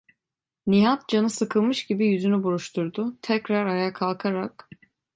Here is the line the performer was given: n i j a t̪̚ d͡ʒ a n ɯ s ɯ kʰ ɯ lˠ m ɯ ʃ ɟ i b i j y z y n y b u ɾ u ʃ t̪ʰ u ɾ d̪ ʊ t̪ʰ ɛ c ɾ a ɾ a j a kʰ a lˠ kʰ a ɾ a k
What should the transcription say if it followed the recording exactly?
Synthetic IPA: n i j a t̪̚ d͡ʒ a n ɯ s ɯ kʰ ɯ lˠ m ɯ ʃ ɟ i b i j y z y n y b u ɾ u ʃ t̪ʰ u ɾ d̪ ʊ t̪ʰ ɛ c ɾ a ɾ a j a kʰ a lˠ kʰ a ɾ a k